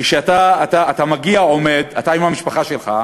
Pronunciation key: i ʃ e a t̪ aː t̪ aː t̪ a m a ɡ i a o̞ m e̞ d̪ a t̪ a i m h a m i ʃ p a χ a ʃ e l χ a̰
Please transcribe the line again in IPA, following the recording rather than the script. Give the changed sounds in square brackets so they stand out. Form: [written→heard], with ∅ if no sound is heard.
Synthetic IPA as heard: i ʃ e a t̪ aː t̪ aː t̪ a m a ɡ i a o̞ m e̞ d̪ a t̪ a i m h a m i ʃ p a χ a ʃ e l χ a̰